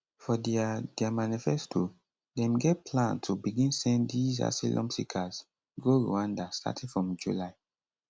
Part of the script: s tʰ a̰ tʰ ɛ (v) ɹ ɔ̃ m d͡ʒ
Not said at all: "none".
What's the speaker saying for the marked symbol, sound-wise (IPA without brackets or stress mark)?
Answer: f